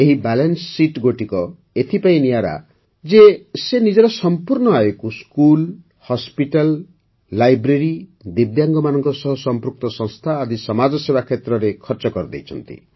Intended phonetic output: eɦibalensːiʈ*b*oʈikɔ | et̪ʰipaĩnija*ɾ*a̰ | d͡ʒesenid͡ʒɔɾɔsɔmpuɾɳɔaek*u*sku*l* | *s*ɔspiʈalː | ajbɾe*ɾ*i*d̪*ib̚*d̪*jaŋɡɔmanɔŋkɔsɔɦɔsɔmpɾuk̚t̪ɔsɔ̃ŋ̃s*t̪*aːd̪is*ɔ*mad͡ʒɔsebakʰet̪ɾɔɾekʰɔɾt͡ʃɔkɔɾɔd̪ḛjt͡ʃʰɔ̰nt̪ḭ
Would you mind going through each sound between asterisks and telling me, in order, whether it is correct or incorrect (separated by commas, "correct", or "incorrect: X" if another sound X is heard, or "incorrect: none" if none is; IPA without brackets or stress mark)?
incorrect: ɡ, correct, correct, correct, incorrect: h, correct, correct, correct, incorrect: t̪ʰ, correct